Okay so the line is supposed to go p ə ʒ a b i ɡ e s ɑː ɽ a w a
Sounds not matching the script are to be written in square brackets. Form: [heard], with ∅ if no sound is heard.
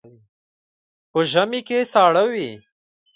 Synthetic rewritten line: p ə ʒ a [m] i [k] e s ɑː ɽ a w [i]